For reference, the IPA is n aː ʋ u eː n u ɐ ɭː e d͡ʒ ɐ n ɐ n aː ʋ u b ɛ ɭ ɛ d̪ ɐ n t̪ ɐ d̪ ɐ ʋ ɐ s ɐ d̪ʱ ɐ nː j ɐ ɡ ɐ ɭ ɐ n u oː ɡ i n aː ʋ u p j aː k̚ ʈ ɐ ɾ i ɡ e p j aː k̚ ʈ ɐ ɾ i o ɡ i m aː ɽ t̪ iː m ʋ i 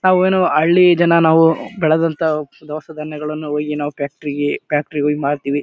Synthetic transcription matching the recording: n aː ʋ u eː n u ɐ ɭː i d͡ʒ ɐ n ɐ n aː ʋ u b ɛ ɭ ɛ d̪ ɐ n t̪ ɐ d̪ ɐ ʋ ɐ s ɐ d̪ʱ ɐ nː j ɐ ɡ ɐ ɭ ɐ nː u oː ɡ i n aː ʋ u p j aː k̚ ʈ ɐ ɾ i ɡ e p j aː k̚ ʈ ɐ ɾ i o ɡ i m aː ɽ t̪ iː ʋ i